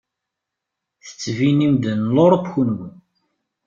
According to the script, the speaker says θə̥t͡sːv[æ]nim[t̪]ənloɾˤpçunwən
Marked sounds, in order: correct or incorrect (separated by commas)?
incorrect, incorrect